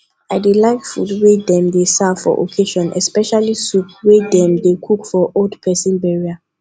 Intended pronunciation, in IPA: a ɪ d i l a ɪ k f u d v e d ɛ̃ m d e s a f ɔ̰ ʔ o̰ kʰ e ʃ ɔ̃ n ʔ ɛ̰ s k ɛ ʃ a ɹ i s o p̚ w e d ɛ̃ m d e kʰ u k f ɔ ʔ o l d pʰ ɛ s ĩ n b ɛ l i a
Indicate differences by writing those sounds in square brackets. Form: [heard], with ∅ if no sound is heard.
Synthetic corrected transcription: a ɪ d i l a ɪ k f u d [w] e d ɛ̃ m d e s a f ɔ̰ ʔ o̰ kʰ e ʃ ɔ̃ n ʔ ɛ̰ s [p] ɛ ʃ a [l] i s [u] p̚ w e d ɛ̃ m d e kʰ u k f ɔ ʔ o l d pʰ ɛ s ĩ n b ɛ [ɹ] i a